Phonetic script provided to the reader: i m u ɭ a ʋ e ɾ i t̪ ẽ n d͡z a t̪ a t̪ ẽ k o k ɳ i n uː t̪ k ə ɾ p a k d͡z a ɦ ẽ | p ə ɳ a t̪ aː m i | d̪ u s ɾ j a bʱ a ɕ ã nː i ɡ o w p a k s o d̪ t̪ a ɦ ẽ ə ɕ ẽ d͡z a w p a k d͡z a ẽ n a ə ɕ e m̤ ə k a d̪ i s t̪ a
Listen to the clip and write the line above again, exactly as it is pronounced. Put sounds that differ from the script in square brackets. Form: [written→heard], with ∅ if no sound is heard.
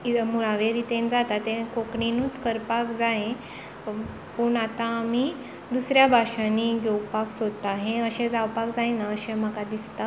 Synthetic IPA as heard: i m u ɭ a ʋ e ɾ i t̪ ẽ n d͡z a t̪ a t̪ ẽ k o k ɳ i n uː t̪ k ə ɾ p a k d͡z a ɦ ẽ | p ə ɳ a t̪ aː m i | d̪ u s ɾ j a bʱ a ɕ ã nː i ɡ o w p a k s o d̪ t̪ a ɦ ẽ ə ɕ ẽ d͡z a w p a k d͡z a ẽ n a ə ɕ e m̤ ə k a d̪ i s t̪ a